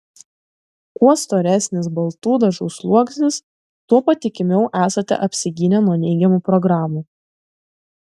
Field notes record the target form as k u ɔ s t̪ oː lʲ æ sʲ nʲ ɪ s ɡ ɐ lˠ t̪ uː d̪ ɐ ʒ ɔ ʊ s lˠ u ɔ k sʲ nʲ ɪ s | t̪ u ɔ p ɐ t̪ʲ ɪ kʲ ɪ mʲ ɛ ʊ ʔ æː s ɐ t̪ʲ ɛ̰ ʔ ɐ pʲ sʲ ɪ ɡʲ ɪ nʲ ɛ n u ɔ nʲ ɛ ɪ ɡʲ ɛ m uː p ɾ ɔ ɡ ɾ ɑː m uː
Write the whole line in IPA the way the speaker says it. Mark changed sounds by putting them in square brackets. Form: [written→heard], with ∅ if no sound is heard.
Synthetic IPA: k u ɔ s t̪ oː [lʲ→ɾʲ] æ sʲ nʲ ɪ s [ɡ→b] ɐ lˠ t̪ uː d̪ ɐ ʒ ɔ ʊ s lˠ u ɔ k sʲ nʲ ɪ s | t̪ u ɔ p ɐ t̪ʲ ɪ kʲ ɪ mʲ ɛ ʊ ʔ æː s ɐ t̪ʲ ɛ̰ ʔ ɐ pʲ sʲ ɪ ɡʲ ɪ nʲ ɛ n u ɔ nʲ ɛ ɪ ɡʲ ɛ m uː p ɾ ɔ ɡ ɾ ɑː m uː